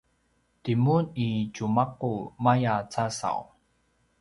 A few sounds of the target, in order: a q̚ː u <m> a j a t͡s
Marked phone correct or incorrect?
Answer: correct